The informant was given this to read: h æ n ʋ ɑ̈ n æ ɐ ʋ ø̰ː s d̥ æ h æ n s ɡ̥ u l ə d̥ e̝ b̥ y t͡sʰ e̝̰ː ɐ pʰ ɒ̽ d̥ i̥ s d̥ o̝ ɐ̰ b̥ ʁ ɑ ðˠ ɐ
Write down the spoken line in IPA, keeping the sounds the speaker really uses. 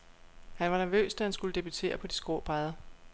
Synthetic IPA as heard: h æ n ʋ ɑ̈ n æ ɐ ʋ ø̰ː s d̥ æ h æ n s ɡ̥ u l ə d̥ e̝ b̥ y t͡sʰ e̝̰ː ɐ pʰ ɒ̽ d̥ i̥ s ɡ̥ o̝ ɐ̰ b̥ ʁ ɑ ðˠ ɐ